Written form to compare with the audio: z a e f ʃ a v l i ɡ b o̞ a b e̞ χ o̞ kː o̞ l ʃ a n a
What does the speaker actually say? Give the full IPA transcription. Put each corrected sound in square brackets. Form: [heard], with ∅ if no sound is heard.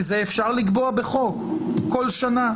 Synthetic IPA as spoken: z [e] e f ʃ a [ʁ] l i ɡ b o̞ a b e̞ χ o̞ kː o̞ l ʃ a n a